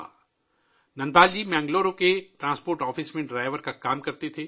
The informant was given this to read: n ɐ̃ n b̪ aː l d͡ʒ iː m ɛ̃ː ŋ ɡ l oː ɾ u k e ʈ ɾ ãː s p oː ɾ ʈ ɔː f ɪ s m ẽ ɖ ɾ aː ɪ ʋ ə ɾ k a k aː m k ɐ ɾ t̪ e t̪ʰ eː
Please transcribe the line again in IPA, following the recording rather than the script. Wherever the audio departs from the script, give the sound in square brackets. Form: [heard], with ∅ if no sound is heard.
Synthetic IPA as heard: n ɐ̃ n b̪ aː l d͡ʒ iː m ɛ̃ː ŋ ɡ l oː ɾ [o] k e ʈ ɾ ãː s p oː ɾ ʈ ɔː f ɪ s m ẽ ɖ ɾ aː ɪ ʋ ə ɾ k a k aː m k ɐ ɾ t̪ e t̪ʰ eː